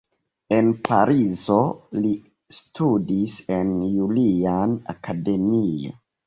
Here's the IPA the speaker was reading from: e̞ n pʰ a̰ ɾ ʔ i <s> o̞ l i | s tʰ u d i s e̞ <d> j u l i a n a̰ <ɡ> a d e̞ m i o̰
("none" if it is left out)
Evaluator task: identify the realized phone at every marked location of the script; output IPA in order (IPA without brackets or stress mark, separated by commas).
z, n, k